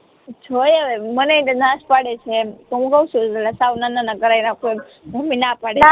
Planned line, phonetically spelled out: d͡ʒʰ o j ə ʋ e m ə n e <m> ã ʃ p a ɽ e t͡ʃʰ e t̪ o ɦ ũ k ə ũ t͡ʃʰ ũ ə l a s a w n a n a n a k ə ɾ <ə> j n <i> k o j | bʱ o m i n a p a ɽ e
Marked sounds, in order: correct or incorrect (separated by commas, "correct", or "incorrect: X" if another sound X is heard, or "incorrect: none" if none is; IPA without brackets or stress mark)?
incorrect: n, incorrect: a, incorrect: a